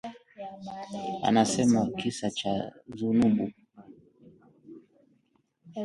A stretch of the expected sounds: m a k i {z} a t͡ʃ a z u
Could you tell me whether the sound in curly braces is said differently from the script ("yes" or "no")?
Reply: yes